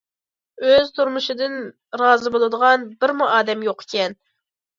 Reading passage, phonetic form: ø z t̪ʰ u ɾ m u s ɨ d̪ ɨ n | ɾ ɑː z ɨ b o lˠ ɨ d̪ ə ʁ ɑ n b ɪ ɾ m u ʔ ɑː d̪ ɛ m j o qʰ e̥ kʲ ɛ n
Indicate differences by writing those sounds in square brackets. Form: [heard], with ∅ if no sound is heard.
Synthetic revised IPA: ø z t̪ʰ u ɾ m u [ʃ] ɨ d̪ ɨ n | ɾ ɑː z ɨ b o lˠ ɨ d̪ ə ʁ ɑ n b ɪ ɾ m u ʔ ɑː d̪ ɛ m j o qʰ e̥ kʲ ɛ n